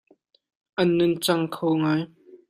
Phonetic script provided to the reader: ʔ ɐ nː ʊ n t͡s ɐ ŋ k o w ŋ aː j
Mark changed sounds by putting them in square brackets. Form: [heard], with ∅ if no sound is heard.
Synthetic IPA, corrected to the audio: ʔ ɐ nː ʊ n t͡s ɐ ŋ [kʰ] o w ŋ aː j